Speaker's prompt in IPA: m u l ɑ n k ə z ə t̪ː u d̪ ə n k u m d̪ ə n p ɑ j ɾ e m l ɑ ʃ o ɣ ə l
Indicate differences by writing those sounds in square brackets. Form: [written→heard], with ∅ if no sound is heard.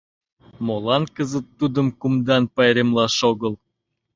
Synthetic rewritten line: m [u→o] l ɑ n k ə z ə t̪ː u d̪ ə [n→m] k u m d̪ [ə→ɑ] n p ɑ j ɾ e m l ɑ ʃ o ɣ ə l

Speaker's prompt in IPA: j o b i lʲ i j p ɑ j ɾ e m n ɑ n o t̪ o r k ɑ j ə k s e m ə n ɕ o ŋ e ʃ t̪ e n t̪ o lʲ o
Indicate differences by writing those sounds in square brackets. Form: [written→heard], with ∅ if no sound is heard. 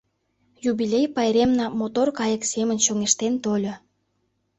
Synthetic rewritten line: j [o→u] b i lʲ [i→e] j p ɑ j ɾ e m n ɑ [n→m] o t̪ o r k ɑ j ə k s e m ə n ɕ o ŋ e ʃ t̪ e n t̪ o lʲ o

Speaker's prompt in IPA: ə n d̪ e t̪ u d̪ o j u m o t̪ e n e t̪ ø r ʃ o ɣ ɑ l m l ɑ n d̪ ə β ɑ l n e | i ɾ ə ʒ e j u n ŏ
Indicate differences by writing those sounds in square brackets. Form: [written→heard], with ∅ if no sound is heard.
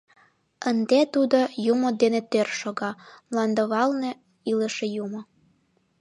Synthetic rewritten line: ə n d̪ e t̪ u d̪ o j u m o [t̪→d̪] e n e t̪ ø r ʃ o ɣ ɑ [l→∅] m l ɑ n d̪ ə β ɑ l n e | i [ɾ→l] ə [ʒ→ʃ] e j u [n→m] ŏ

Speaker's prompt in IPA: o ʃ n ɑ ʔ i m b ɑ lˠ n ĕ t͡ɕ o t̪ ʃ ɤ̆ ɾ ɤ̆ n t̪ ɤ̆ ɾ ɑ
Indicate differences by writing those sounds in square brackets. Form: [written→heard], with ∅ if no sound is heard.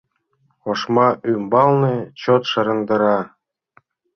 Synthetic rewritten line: o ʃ [n→m] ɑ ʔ [i→y] m b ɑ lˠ n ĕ t͡ɕ o t̪ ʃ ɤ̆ ɾ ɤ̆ n [t̪→d̪] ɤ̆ ɾ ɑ

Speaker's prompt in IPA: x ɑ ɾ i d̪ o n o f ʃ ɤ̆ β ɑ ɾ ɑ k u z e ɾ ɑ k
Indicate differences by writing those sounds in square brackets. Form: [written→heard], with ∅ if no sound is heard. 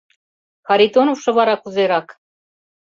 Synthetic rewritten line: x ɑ ɾ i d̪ o n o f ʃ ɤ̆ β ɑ ɾ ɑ k u z e ɾ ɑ k

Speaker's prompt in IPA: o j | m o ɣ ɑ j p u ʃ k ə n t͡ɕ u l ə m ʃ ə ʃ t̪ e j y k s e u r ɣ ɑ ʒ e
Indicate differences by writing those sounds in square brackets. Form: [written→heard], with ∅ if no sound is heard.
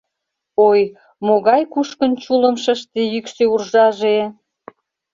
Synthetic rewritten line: o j | m o ɣ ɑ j [p→k] u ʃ k ə n t͡ɕ u l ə m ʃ ə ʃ t̪ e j y k s e u r [ɣ→ʒ] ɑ ʒ e

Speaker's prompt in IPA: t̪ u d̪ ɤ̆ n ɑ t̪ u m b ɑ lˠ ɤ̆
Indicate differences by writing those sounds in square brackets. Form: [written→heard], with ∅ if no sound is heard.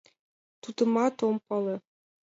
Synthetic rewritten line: t̪ u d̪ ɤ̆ [n→m] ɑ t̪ [u→o] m [b→p] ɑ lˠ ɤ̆

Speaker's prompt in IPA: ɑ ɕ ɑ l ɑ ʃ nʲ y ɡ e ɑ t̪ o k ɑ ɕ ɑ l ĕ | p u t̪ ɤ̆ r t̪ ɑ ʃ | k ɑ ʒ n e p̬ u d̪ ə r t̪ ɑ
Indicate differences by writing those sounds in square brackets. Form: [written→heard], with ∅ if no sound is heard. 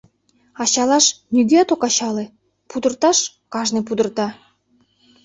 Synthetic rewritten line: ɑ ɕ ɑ l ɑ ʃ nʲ y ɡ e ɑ t̪ o k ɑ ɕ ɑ l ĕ | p u [t̪→d̪] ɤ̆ r t̪ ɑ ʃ | k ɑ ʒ n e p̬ u d̪ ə r t̪ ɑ

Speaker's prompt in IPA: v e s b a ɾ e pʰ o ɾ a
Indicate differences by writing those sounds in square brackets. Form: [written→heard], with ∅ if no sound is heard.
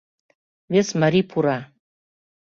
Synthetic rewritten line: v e s [b→m] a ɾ [e→i] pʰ [o→u] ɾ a

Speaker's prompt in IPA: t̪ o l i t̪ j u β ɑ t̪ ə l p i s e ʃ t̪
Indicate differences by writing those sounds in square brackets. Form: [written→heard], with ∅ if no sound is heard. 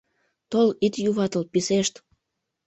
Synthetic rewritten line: t̪ o l i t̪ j u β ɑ t̪ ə l p i s e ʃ t̪

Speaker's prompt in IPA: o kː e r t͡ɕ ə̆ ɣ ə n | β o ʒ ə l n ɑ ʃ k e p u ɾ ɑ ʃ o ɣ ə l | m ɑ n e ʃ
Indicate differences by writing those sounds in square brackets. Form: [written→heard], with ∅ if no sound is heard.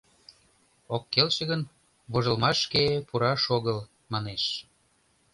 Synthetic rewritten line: o kː e [r→l] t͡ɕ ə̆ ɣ ə n | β o ʒ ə l [n→m] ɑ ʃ k e p u ɾ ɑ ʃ o ɣ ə l | m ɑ n e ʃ

